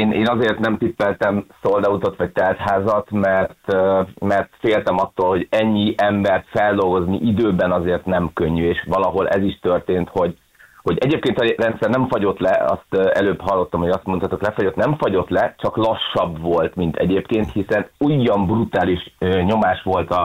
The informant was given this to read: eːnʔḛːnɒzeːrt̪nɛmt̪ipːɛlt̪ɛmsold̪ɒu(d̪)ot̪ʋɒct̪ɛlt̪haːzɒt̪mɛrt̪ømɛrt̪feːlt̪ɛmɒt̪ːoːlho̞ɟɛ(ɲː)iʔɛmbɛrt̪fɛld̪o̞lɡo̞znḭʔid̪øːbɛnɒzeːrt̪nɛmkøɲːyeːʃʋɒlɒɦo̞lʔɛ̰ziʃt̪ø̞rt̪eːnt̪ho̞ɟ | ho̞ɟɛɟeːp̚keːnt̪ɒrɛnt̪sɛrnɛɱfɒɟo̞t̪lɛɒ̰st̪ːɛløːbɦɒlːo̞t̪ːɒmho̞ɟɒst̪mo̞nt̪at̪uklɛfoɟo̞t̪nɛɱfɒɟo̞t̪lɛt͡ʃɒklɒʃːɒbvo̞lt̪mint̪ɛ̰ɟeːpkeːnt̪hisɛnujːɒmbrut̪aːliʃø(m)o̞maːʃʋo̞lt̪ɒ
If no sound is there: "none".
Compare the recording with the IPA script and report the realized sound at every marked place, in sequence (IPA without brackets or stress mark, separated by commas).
t̪, ɲː, ɲ